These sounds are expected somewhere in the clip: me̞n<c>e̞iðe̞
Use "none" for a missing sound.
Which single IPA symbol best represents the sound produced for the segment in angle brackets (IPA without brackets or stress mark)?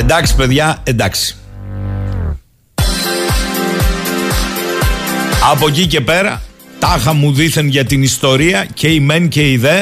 c